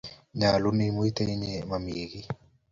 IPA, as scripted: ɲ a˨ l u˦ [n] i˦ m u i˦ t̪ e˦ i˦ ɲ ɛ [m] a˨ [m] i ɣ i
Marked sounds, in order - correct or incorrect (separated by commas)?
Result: correct, correct, correct